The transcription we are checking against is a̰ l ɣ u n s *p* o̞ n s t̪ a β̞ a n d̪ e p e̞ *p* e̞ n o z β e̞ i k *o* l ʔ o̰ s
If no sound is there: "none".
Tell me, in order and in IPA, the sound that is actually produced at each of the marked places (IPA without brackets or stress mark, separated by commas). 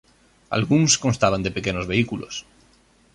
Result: k, k, u